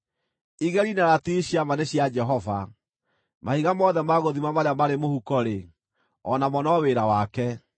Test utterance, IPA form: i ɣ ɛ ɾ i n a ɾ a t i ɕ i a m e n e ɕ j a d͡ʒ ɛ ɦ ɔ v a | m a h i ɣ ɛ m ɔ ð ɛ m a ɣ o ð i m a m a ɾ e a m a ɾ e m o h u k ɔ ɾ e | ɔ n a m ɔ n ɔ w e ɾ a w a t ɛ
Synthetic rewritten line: i ɣ ɛ ɾ i n a ɾ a t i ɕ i a m a n e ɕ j a d͡ʒ ɛ ɦ ɔ v a | m a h i ɣ a m ɔ ð ɛ m a ɣ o ð i m a m a ɾ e a m a ɾ e m o h u k ɔ ɾ e | ɔ n a m ɔ n ɔ w e ɾ a w a k ɛ

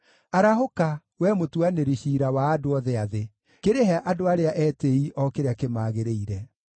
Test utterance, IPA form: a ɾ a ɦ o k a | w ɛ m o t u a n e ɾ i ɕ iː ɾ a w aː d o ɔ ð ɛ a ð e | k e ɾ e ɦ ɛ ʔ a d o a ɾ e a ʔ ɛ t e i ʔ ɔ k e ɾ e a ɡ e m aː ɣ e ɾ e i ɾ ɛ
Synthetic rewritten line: a ɾ a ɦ o k a | w ɛ m o t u a n e ɾ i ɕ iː ɾ a w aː d o ɔ ð ɛ a ð e | k e ɾ e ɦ ɛ ʔ a d o a ɾ e a ʔ ɛ t e i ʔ ɔ k e ɾ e a k e m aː ɣ e ɾ e i ɾ ɛ

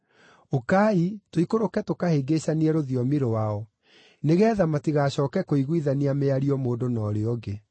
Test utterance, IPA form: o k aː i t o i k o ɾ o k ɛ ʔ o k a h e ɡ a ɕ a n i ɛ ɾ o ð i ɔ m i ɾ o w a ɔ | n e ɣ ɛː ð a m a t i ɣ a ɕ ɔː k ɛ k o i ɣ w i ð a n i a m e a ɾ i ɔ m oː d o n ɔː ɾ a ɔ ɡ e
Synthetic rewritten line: o k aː i t o i k o ɾ o k ɛ t o k a h e ɡ e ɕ a n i ɛ ɾ o ð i ɔ m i ɾ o w a ɔ | n e ɣ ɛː ð a m a t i ɣ a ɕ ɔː k ɛ k o i ɣ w i ð a n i a m e a ɾ i ɔ m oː d o n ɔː ɾ e ɔ ɡ e

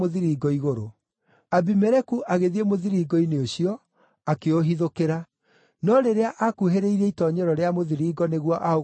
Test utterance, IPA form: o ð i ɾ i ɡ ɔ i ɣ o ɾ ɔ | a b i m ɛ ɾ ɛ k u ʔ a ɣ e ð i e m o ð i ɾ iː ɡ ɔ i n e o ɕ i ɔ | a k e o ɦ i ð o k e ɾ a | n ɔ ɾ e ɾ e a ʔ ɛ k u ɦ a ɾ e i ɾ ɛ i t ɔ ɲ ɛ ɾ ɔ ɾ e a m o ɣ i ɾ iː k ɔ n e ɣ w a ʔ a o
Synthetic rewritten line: o ð i ɾ i ɡ ɔ i ɣ o ɾ o | a b i m ɛ ɾ ɛ k u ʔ a ɣ e ð i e m o ð i ɾ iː ɡ ɔ i n e o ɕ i ɔ | a k e o ɦ i ð o k e ɾ a | n ɔ ɾ e ɾ e a ʔ a k u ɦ e ɾ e i ɾ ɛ i t ɔ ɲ ɛ ɾ ɔ ɾ e a m o ð i ɾ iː ɡ ɔ n e ɣ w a ʔ a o

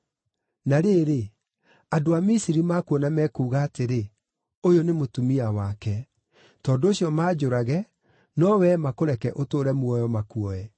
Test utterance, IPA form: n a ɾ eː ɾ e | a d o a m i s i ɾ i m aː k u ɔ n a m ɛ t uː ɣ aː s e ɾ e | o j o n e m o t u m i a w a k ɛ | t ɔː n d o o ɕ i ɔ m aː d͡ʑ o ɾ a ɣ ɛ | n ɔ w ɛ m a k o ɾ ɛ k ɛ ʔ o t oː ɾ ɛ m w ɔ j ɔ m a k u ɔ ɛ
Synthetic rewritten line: n a ɾ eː ɾ e | a d o a m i s i ɾ i m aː k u ɔ n a m ɛ k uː ɣ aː t e ɾ e | o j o n e m o t u m i a w a k ɛ | t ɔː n d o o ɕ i ɔ m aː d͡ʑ o ɾ a ɣ ɛ | n ɔ w ɛ m a k o ɾ ɛ k ɛ ʔ o t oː ɾ ɛ m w ɔ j ɔ m a k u ɔ ɛ

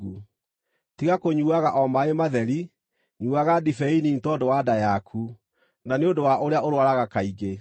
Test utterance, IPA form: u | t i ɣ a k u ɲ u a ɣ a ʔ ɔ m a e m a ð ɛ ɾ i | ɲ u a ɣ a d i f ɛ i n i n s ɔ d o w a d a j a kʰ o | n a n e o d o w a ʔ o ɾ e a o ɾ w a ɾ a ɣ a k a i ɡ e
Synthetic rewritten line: u | t i ɣ a k o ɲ u a ɣ a ʔ ɔ m a e m a ð ɛ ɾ i | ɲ u a ɣ a d i f ɛ i n i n t ɔ d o w a d a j a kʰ u | n a n e o d o w a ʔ o ɾ e a o ɾ w a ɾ a ɣ a k a i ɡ e

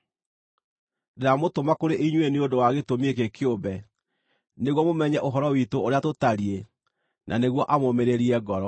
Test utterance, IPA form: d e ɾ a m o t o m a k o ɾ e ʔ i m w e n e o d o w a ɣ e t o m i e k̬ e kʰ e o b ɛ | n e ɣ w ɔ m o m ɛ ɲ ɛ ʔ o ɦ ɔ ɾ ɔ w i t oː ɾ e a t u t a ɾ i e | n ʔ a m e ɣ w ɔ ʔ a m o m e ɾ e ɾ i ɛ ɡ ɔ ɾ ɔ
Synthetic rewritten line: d e ɾ a m o t o m a k o ɾ e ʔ i ɲ w e n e o d o w a ɣ e t o m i e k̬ e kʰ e o b ɛ | n e ɣ w ɔ m o m ɛ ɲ ɛ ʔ o ɦ ɔ ɾ ɔ w i t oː ɾ e a t o t a ɾ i e | n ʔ a n e ɣ w ɔ ʔ a m o m e ɾ e ɾ i ɛ ɡ ɔ ɾ ɔ

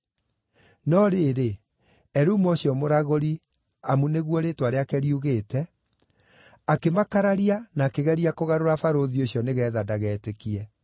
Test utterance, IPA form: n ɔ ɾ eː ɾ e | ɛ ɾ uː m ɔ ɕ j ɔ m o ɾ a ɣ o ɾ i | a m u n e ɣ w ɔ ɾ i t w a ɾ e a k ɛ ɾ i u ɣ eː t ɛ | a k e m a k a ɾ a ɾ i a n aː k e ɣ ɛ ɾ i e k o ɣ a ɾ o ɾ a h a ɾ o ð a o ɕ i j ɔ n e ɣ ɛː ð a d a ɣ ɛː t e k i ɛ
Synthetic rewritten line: n ɔ ɾ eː ɾ e | ɛ ɾ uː m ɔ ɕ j ɔ m o ɾ a ɣ o ɾ i | a m u n e ɣ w ɔ ɾ e t w a ɾ e a k ɛ ɾ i u ɣ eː t ɛ | a k e m a k a ɾ a ɾ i a n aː k e ɣ ɛ ɾ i a k o ɣ a ɾ o ɾ a f a ɾ o ð i o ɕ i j ɔ n e ɣ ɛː ð a d a ɣ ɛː t e k i ɛ

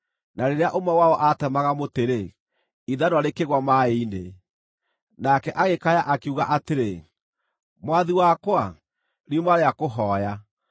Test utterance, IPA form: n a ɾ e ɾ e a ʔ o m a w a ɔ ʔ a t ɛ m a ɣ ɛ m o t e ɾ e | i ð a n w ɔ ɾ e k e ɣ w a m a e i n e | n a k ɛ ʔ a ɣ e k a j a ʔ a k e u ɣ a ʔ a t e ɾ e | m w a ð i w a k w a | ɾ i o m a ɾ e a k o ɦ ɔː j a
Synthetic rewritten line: n a ɾ e ɾ e a ʔ o m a w a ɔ ʔ a t ɛ m a ɣ a m o t e ɾ e | i ð a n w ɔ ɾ e k e ɣ w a m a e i n e | n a k ɛ ʔ a ɣ e k a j a ʔ a k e u ɣ a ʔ a t e ɾ e | m w a ð i w a k w a | ɾ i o m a ɾ e a k o ɦ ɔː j a

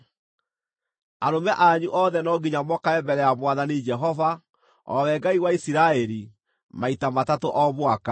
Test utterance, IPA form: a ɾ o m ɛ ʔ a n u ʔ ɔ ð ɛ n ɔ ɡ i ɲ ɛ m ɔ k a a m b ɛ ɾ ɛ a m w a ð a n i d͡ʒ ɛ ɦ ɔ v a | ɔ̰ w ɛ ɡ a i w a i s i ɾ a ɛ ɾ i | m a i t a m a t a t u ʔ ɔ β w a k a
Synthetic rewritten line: a ɾ o m ɛ ʔ a ɲ u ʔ ɔ ð ɛ n ɔ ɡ i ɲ a m ɔ k a ɛ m b ɛ ɾ ɛ a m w a ð a n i d͡ʒ ɛ ɦ ɔ v a | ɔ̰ w ɛ ɡ a i w a i s i ɾ a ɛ ɾ i | m a i t a m a t a t o ʔ ɔ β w a k a

